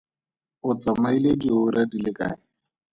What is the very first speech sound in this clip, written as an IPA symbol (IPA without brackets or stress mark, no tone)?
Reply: ʊ